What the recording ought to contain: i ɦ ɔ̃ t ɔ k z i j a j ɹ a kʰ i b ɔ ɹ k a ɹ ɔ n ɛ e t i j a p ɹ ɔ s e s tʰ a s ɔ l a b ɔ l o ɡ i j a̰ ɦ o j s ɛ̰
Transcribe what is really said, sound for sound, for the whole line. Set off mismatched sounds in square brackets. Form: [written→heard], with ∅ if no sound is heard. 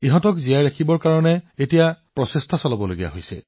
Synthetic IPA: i ɦ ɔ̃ t ɔ k z i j a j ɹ a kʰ i b ɔ ɹ k a ɹ ɔ n ɛ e t i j a p ɹ ɔ s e s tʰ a s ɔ l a b ɔ l o ɡ i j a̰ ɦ o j s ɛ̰